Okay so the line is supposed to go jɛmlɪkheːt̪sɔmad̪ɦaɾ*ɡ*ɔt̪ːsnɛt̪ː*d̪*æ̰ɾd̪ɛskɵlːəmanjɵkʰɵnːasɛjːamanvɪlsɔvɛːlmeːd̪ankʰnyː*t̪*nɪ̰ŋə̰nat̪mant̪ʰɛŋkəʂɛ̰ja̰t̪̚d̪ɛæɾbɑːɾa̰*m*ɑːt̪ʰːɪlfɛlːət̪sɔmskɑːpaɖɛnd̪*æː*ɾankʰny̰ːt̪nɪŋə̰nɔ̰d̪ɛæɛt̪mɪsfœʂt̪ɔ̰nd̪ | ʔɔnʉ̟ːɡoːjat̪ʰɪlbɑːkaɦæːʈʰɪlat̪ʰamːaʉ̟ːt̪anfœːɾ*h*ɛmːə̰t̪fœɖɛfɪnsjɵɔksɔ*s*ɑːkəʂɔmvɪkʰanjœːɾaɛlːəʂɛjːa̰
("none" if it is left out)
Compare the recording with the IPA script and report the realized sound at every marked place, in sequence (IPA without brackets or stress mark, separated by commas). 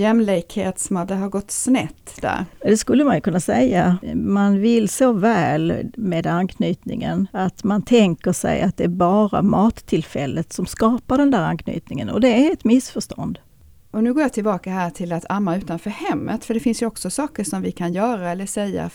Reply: ɡ, d̪, t̪, m, æː, h, s